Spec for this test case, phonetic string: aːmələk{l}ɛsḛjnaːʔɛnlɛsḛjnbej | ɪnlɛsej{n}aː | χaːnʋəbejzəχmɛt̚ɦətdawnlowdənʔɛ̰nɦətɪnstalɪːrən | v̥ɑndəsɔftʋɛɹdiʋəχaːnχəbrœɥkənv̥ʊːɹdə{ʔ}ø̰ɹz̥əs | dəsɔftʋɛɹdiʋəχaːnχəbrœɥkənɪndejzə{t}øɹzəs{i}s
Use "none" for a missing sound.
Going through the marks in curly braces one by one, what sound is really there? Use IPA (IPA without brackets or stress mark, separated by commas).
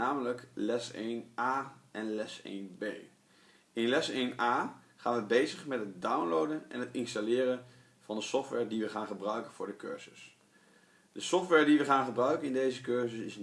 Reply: l, n, k, k, ɪ